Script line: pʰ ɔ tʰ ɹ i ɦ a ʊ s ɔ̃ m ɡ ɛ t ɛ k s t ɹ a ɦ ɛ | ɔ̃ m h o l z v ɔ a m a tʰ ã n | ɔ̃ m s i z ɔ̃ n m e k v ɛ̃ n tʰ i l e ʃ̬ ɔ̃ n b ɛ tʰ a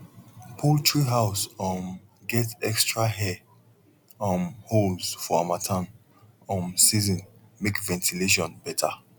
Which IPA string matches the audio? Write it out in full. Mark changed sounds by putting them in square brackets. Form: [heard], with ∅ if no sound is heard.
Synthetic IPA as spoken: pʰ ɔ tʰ ɹ i ɦ a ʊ s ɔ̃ m ɡ ɛ t ɛ k s t ɹ a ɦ ɛ | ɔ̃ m h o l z [f] ɔ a m a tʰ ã n | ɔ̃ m s i z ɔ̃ n m e k v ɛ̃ n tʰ i l e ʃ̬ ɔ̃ n b ɛ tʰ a